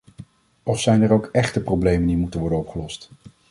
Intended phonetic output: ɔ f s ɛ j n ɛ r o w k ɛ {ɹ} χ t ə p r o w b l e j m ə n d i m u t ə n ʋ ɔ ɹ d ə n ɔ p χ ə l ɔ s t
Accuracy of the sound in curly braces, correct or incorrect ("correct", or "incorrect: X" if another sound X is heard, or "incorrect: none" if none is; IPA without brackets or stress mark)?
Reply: incorrect: none